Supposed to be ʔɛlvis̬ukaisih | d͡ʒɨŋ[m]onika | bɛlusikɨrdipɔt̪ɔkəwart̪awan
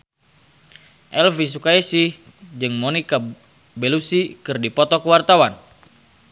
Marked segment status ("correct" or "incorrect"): correct